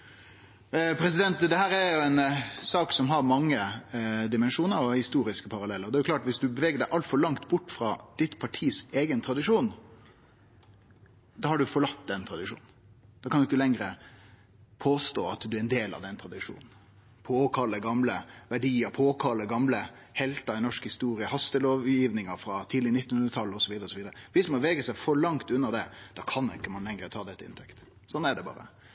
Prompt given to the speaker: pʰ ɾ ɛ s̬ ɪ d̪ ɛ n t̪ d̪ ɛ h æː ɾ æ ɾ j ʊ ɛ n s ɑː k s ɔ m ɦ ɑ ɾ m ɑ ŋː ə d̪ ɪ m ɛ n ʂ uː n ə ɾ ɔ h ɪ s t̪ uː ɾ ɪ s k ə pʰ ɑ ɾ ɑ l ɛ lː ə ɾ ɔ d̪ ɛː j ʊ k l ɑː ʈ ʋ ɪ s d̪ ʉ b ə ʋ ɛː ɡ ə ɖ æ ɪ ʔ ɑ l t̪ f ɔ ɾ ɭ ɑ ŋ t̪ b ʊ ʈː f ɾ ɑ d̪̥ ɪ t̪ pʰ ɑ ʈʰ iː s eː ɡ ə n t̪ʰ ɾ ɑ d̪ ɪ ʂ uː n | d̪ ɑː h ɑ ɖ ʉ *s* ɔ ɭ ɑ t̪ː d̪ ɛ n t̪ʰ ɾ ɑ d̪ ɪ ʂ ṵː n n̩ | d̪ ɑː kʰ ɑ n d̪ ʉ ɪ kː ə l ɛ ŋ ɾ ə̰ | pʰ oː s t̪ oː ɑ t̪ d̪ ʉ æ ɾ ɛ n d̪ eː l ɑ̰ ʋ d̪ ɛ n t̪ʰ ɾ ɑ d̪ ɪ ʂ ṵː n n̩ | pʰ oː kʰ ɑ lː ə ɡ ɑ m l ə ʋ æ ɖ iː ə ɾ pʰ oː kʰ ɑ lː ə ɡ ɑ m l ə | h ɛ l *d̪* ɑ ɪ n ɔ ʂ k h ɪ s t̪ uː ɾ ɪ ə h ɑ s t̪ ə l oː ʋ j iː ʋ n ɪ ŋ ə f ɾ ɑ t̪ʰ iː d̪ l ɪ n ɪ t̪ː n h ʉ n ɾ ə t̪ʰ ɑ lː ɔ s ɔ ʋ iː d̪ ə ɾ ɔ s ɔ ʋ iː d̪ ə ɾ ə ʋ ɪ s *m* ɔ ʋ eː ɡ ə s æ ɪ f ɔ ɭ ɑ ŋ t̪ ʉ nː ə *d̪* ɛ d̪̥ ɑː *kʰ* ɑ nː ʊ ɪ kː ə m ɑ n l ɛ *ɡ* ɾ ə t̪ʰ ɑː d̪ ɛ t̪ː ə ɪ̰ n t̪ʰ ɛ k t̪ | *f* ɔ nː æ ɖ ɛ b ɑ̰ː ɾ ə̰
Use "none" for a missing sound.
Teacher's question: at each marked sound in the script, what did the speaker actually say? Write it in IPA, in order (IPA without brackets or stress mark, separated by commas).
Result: f, t̪, m, d̪, kʰ, ŋ, s